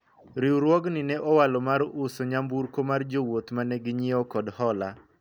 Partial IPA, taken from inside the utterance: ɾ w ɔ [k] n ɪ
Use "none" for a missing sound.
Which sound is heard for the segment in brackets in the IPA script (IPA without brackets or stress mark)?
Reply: ɡ